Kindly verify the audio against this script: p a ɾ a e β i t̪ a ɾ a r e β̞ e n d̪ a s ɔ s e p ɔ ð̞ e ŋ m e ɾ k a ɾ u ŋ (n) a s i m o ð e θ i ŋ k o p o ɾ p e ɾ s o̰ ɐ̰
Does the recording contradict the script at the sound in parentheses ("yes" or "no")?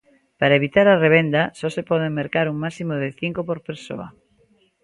yes